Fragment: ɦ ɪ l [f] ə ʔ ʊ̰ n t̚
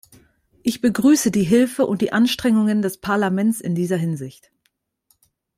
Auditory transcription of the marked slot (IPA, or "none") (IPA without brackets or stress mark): f